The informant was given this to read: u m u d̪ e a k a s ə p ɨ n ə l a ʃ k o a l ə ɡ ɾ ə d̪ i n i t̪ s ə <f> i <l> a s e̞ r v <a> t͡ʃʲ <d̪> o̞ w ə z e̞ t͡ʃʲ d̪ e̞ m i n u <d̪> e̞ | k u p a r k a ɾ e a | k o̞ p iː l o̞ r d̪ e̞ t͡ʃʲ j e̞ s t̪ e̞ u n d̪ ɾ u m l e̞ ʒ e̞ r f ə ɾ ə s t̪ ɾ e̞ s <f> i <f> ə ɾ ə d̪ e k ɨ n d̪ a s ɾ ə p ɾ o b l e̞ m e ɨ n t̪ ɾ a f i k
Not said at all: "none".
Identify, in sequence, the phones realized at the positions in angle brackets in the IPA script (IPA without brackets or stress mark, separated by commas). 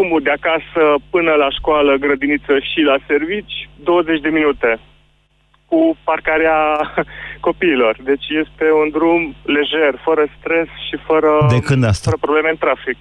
ʃ, l, i, d̪, t̪, ʃ, f